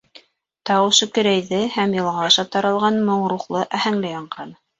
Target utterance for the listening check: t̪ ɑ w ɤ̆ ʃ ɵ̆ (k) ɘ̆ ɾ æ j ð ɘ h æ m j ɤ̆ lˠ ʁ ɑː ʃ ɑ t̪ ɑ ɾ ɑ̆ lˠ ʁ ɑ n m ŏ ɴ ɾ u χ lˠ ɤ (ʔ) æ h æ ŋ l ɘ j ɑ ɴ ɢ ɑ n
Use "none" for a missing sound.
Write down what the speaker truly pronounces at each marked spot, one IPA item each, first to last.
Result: k, ʔ

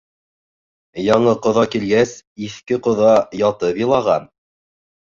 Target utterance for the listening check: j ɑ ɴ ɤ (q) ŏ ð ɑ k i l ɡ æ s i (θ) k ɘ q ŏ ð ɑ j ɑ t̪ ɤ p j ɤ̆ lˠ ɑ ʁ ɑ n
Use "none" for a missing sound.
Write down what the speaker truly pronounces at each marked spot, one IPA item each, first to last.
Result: q, θ

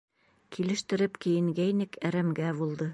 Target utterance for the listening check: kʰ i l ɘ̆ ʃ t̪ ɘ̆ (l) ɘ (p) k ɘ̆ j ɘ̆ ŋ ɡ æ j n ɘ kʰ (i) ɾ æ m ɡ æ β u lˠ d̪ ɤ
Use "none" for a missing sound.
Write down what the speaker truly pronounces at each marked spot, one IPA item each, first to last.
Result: ɾ, p, æ

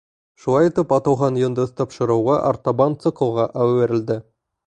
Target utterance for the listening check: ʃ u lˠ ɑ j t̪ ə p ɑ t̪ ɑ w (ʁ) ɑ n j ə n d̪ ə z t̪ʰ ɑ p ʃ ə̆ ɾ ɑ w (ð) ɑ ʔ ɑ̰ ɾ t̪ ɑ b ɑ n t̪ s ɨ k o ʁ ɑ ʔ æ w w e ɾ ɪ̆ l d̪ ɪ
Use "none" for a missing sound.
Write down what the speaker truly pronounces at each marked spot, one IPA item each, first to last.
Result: ʁ, ʁ

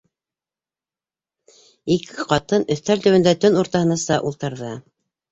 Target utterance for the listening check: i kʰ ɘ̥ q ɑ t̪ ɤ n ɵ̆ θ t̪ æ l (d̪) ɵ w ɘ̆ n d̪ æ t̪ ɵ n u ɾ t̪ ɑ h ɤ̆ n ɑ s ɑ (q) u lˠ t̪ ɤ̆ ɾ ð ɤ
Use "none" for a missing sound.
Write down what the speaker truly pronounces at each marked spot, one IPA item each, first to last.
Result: t̪, ʔ

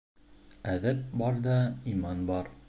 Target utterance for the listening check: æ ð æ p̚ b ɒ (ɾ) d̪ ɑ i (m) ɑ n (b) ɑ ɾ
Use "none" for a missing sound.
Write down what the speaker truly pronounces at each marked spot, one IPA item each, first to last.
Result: ɾ, m, b

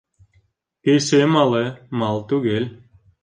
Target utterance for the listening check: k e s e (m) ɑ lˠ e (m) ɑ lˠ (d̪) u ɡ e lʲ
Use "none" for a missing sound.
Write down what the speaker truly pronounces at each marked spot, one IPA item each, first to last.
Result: m, m, t̪

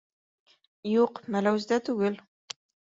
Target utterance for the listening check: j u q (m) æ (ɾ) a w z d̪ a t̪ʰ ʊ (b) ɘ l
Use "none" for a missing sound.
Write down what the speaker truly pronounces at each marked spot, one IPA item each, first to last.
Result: m, l, ɡ

